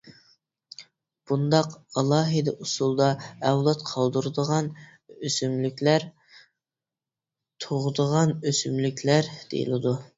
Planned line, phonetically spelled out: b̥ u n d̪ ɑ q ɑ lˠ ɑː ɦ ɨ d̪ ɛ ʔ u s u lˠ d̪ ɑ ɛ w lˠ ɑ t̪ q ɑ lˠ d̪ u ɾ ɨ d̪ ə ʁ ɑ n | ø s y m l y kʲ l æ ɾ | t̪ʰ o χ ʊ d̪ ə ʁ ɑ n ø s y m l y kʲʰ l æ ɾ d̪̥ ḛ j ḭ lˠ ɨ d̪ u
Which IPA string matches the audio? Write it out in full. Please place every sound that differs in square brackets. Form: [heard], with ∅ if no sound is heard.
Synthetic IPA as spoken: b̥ u n d̪ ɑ q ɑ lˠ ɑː ɦ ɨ d̪ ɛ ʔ u s u lˠ d̪ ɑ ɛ w lˠ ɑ t̪ [qʰ] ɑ lˠ d̪ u ɾ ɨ d̪ ə ʁ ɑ n | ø s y m l y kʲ l æ ɾ | t̪ʰ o [ʁ] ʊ d̪ ə ʁ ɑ n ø s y m l y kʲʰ l æ ɾ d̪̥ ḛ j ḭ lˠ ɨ d̪ u